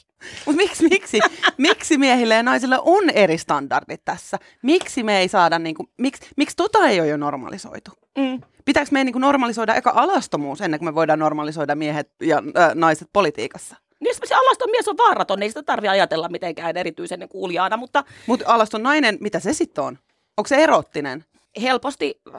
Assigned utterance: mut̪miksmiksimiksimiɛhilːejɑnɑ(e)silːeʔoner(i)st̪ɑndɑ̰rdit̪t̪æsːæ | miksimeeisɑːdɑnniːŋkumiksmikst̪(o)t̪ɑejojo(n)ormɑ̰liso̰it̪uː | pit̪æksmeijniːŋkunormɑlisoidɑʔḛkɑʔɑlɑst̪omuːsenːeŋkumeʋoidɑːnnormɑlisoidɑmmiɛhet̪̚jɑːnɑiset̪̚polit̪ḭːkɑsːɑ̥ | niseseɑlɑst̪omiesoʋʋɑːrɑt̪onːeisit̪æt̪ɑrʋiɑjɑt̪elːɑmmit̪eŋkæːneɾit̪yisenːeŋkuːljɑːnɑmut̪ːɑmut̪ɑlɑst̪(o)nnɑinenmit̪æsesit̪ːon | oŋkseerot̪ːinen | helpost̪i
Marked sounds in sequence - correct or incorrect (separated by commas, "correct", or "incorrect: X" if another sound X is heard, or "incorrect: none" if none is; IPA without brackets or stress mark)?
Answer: incorrect: i, correct, correct, correct, correct